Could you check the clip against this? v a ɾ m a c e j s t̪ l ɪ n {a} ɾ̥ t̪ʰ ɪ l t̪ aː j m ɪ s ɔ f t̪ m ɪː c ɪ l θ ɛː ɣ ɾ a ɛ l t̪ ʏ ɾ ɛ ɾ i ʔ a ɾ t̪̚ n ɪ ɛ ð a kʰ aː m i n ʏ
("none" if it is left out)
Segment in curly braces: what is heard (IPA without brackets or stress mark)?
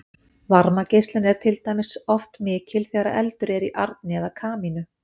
ɛ